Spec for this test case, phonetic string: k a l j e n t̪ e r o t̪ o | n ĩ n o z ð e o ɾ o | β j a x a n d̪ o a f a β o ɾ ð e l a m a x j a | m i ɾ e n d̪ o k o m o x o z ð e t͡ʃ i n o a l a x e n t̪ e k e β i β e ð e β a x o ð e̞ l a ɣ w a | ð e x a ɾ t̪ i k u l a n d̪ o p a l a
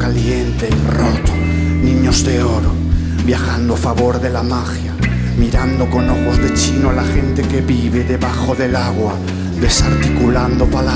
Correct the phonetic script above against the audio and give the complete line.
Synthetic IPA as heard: k a l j e n t̪ e r o t̪ o | n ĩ ɲ o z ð e o ɾ o | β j a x a n d̪ o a f a β o ɾ ð e l a m a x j a | m i ɾ a n d̪ o k o n o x o z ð e t͡ʃ i n o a l a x e n t̪ e k e β i β e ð e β a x o ð e̞ l a ɣ w a | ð e s a ɾ t̪ i k u l a n d̪ o p a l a